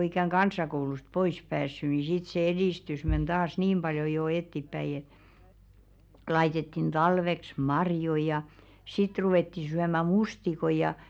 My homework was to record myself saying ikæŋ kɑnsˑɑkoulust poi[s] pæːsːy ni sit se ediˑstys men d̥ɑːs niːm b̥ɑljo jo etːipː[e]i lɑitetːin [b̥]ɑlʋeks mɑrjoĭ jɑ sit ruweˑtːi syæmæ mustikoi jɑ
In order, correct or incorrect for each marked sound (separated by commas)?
correct, incorrect, incorrect